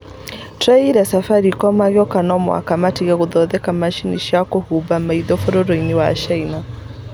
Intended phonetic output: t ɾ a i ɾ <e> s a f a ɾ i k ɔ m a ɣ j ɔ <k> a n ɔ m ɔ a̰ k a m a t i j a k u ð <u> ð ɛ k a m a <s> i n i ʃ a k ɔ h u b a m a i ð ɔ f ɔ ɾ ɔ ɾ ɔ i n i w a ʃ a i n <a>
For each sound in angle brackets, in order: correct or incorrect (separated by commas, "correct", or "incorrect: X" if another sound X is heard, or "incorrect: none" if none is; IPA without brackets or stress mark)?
incorrect: a, correct, incorrect: ɔ, incorrect: ʃ, correct